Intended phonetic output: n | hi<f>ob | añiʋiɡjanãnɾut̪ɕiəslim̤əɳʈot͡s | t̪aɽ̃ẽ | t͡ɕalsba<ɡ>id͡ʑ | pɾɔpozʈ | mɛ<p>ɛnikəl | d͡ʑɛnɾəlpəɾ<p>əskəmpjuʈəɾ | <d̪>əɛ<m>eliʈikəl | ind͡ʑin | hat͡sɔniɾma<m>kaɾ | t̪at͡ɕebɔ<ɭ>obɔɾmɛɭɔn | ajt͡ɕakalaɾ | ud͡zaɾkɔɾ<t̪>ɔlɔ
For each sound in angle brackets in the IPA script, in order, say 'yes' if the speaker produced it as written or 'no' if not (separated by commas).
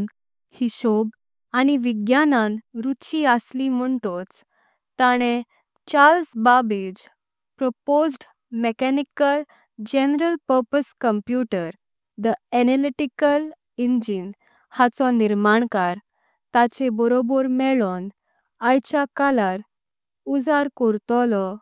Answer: no, no, no, yes, yes, no, no, no, yes